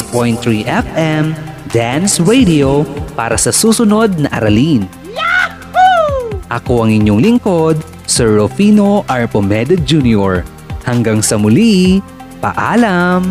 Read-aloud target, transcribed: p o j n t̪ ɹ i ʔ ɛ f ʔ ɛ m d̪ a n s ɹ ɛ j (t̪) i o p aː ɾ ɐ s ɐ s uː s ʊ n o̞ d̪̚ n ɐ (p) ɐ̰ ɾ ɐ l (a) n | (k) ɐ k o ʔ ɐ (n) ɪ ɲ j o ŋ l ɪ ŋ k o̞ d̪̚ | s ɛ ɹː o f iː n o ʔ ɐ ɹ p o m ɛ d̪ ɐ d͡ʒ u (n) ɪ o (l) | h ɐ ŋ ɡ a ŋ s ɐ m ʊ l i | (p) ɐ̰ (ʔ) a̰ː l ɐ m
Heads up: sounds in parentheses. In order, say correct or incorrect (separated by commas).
incorrect, incorrect, incorrect, incorrect, incorrect, correct, incorrect, correct, correct